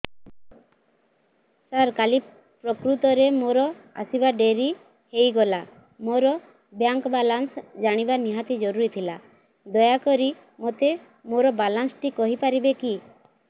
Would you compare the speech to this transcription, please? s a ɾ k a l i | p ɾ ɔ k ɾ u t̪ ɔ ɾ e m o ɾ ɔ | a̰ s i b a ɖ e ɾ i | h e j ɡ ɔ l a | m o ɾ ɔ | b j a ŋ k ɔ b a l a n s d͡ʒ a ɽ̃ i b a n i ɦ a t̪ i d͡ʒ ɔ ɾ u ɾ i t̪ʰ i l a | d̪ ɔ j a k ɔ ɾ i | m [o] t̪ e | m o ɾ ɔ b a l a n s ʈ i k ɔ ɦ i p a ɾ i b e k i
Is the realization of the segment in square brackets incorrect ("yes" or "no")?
no